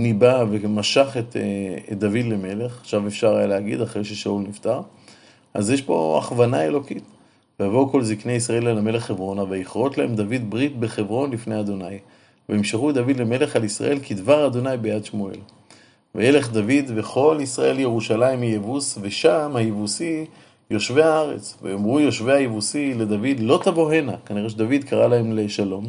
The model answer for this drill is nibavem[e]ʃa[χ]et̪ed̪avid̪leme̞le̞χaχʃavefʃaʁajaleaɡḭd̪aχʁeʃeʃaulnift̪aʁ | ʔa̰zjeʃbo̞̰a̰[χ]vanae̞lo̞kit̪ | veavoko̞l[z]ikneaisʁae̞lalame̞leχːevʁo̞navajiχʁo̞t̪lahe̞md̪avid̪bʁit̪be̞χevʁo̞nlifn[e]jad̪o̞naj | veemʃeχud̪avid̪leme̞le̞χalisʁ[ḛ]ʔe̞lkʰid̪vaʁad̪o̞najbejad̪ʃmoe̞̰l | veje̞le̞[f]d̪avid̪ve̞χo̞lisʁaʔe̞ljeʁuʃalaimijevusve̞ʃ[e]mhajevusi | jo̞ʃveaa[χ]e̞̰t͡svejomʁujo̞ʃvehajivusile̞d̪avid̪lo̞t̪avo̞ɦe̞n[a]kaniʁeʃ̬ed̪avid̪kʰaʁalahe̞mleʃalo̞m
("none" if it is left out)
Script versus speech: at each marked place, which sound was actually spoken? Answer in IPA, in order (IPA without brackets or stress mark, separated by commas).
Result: a, χ, χ, z, e, a̰, χ, a, ʁ, a